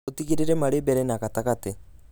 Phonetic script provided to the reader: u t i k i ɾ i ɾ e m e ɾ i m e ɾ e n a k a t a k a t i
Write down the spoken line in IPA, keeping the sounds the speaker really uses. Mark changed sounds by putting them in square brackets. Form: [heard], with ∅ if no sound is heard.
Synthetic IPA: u t i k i ɾ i ɾ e m [a] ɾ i [b] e ɾ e n a k a t a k a t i